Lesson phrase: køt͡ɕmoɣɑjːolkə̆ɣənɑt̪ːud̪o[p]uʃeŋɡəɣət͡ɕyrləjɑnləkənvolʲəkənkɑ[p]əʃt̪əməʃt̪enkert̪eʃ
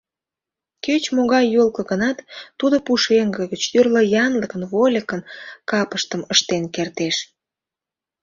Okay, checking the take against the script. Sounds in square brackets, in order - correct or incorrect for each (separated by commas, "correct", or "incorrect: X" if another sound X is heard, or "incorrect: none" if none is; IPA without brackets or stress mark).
correct, correct